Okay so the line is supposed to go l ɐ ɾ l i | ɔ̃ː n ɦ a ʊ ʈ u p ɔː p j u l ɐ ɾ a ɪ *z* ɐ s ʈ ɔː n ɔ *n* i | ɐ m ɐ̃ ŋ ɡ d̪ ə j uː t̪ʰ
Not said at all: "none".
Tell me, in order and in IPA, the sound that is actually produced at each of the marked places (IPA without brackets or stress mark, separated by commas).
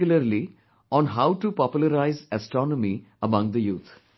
z, m